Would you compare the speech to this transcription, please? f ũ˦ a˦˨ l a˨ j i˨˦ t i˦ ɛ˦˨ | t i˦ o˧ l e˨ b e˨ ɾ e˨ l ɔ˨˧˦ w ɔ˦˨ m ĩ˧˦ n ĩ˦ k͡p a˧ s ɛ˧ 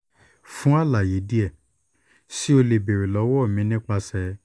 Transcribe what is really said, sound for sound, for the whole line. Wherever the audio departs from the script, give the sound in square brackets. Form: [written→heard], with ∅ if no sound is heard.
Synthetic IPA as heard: f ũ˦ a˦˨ l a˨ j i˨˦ [t→d] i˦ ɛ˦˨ | [t→s] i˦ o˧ l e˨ b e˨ ɾ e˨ l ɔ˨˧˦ w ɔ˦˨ m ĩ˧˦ n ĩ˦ k͡p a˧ s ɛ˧

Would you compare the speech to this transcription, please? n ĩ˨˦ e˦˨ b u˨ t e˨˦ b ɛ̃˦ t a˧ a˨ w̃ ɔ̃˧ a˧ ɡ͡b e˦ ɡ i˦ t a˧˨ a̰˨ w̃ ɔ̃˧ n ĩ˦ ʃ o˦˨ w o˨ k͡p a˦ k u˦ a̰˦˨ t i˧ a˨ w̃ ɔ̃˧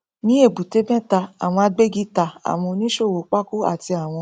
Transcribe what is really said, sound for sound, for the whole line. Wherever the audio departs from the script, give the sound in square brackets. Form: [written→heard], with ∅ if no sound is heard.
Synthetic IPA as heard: n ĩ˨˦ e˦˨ b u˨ t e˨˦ b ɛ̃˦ t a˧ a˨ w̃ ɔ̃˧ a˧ ɡ͡b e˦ ɡ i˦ t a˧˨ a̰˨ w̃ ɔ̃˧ n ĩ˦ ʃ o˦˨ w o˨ k͡p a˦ k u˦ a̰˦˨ t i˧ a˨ w̃ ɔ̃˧

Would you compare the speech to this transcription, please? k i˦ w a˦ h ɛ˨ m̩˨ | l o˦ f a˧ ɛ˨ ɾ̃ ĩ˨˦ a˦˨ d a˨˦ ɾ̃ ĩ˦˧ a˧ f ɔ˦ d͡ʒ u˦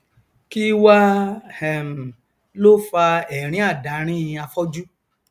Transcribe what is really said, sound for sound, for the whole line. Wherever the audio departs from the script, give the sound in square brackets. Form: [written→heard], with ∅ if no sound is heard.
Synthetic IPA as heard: k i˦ w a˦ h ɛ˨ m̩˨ | l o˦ f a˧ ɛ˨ ɾ̃ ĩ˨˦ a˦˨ d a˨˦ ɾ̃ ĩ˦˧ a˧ f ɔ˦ d͡ʒ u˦

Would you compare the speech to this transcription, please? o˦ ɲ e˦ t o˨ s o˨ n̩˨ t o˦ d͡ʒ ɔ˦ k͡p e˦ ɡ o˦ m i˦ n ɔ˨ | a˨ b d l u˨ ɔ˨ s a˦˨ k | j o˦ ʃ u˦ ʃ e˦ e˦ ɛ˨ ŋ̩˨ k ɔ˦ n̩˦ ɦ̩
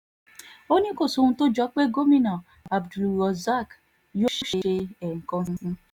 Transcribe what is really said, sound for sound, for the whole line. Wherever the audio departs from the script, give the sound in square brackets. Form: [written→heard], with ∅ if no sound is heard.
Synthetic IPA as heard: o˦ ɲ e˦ [t→k] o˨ s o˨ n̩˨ t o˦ d͡ʒ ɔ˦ k͡p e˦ ɡ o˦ m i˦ n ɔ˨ | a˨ b d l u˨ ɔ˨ [s→z] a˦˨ k | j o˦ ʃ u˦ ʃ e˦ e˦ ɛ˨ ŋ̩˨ k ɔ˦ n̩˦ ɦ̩

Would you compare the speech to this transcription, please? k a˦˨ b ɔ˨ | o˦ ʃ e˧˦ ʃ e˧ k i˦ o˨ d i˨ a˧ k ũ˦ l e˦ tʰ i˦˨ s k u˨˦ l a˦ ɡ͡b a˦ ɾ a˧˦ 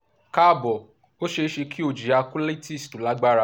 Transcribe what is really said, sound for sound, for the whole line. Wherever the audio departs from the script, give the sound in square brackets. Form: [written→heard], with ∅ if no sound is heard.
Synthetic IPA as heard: k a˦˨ b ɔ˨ | o˦ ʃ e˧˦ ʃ e˧ k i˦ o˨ [d→d͡ʒ] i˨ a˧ k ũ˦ l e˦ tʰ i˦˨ s [k→t] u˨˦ l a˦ ɡ͡b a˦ ɾ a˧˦

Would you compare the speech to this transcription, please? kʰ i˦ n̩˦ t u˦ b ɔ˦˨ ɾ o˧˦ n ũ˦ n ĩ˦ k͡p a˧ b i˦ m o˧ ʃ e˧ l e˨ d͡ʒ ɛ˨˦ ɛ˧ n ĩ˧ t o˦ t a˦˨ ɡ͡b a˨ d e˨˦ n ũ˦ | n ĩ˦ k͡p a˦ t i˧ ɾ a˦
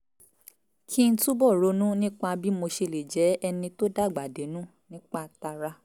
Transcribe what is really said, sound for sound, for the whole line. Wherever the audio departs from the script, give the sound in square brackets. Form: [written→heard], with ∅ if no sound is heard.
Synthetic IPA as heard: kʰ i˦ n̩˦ t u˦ b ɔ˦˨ ɾ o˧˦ n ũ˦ n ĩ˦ k͡p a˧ b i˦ m o˧ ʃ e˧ l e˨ d͡ʒ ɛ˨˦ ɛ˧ n ĩ˧ t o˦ [t→d] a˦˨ ɡ͡b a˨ d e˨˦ n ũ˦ | n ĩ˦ k͡p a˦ t [i˧→a˧] ɾ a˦

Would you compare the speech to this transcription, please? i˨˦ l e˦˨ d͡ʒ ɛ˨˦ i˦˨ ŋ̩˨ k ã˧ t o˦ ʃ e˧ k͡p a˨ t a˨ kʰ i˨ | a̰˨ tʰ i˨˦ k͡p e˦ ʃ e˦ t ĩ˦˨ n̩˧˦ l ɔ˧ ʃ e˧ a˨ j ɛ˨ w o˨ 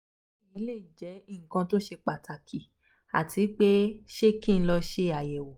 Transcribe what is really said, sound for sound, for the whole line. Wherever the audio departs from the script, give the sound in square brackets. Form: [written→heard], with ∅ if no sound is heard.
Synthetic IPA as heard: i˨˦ l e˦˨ d͡ʒ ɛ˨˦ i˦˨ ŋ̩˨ k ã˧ t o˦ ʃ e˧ k͡p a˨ t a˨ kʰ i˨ | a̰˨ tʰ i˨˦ k͡p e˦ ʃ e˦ [t→k] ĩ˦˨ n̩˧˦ l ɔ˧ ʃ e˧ a˨ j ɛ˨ w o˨

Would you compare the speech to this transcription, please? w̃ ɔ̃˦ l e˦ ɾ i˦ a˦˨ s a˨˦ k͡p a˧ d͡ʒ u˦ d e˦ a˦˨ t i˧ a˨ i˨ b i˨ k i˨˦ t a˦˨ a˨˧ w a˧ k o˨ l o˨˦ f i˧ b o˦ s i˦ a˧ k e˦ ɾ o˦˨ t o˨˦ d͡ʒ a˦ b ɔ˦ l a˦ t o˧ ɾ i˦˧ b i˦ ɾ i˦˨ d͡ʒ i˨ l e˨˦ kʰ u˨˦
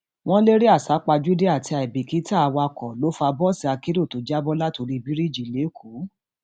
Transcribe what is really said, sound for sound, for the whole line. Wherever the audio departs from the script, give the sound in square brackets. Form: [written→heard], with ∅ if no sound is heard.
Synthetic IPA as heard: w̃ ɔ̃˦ l e˦ ɾ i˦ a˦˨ s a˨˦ k͡p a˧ d͡ʒ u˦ d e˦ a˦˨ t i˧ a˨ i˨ b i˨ k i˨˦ t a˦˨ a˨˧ w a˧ k [o˨→ɔ˨] l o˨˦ f [i˧→a˧] b [o˦→ɔ˦] s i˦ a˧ k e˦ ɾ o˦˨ t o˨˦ d͡ʒ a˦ b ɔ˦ l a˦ t o˧ ɾ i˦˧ b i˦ ɾ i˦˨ d͡ʒ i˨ l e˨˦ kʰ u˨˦

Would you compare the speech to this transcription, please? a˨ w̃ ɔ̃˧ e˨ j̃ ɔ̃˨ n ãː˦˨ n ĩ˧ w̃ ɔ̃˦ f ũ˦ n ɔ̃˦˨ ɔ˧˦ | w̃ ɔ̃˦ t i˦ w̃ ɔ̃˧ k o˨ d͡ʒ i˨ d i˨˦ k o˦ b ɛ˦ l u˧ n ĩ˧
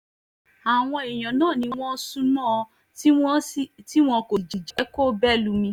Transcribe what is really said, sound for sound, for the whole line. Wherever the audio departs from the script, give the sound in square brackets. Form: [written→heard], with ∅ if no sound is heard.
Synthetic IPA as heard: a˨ w̃ ɔ̃˧ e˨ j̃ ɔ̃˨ n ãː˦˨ n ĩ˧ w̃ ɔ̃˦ [f→s] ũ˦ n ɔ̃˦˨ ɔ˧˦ | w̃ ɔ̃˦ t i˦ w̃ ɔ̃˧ k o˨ d͡ʒ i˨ [d→d͡ʒ] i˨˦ k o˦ b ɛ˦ l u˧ [n→m] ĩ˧

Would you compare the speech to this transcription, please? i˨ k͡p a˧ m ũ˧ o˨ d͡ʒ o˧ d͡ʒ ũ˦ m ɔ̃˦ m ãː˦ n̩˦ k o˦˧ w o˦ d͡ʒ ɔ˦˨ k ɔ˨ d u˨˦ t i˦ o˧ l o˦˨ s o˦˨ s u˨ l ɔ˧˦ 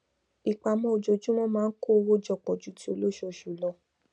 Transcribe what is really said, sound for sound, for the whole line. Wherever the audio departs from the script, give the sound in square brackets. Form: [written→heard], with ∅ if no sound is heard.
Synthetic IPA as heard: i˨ k͡p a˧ m [ũ˧→ɔ̃˧] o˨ d͡ʒ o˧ d͡ʒ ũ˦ m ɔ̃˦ m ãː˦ n̩˦ k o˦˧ w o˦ d͡ʒ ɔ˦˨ [k→k͡p] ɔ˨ [d→d͡ʒ] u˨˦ t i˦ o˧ l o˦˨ [s→ʃ] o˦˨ [s→ʃ] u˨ l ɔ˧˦

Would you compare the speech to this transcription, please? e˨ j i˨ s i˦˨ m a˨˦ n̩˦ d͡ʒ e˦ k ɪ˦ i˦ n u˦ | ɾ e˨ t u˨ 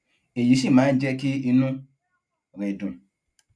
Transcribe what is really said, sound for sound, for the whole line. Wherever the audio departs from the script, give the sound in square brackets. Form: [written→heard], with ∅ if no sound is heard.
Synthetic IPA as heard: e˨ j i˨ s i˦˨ m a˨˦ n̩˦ d͡ʒ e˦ k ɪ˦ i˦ n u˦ | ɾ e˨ [t→d] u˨

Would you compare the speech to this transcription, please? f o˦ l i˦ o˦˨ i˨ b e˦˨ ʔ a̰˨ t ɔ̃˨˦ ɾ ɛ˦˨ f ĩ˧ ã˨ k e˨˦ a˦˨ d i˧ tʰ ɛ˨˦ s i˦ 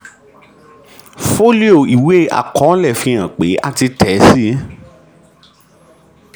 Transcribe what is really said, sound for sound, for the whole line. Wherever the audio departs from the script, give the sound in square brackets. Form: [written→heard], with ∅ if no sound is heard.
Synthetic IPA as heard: f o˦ l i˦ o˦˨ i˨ [b→w] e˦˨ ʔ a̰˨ [t→k] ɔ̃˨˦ [ɾ→l] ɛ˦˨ f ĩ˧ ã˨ [k→k͡p] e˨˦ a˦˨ [d→t] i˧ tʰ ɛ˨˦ s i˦

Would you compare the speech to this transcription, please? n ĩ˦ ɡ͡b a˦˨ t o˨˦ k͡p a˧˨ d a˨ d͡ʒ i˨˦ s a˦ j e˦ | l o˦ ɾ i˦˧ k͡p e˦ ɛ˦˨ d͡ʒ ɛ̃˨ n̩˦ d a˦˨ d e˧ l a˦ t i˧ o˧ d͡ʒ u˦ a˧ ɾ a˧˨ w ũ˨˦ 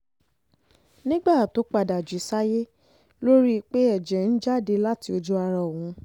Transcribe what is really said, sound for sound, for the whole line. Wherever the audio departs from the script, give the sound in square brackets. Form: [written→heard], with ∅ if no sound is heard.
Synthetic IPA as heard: n ĩ˦ ɡ͡b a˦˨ t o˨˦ k͡p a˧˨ d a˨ d͡ʒ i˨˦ s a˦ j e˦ | l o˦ ɾ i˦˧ k͡p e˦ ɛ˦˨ d͡ʒ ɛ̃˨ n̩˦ [d→d͡ʒ] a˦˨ d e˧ l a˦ t i˧ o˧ d͡ʒ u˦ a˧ ɾ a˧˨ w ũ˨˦

